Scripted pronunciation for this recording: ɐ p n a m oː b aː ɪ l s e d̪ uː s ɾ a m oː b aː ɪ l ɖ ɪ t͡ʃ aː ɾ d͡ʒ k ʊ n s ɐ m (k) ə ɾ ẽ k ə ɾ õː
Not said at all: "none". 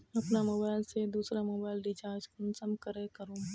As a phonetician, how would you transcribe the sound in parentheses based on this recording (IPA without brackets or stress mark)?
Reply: k